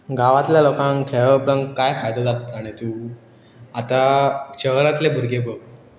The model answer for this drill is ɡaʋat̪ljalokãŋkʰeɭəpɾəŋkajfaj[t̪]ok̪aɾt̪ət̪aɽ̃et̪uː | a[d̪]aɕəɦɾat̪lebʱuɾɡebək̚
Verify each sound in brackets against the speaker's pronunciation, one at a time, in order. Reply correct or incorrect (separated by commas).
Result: incorrect, incorrect